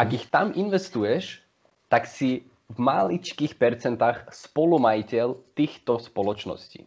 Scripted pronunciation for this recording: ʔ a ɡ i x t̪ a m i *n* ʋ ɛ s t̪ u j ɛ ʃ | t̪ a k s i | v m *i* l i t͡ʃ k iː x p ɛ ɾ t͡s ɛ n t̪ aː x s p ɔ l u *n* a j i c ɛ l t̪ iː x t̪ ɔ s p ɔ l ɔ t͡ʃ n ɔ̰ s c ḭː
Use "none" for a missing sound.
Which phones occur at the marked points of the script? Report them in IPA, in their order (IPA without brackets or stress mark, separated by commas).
n, a, m